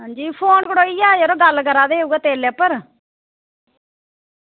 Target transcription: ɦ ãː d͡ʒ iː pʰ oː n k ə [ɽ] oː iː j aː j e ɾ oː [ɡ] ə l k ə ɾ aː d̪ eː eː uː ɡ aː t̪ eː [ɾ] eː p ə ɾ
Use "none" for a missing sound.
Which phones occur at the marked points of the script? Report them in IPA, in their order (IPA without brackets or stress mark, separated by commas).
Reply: ɽ, ɡ, l